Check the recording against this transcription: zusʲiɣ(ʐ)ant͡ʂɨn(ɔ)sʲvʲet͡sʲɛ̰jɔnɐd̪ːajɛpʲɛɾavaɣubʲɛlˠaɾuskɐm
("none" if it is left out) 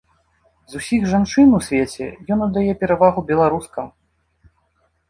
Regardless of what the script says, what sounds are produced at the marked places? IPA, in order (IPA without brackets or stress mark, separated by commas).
ʐ, u